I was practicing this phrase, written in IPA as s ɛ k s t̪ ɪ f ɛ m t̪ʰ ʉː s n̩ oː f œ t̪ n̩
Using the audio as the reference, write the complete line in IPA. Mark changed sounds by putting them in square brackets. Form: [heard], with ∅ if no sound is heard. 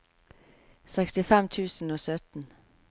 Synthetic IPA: s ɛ k s t̪ ɪ f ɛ m t̪ʰ ʉː s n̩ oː [s] œ t̪ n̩